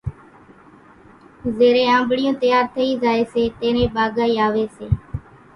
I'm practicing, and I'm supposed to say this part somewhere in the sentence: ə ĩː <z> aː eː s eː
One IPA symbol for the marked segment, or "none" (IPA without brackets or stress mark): z